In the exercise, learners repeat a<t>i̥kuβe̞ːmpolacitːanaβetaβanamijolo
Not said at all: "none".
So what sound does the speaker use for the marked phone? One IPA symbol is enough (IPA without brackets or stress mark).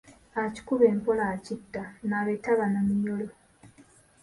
c